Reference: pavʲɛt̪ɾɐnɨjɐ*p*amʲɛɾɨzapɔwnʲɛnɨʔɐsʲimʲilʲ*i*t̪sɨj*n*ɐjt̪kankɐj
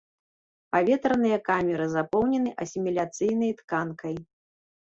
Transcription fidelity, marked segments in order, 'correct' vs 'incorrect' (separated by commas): incorrect, incorrect, correct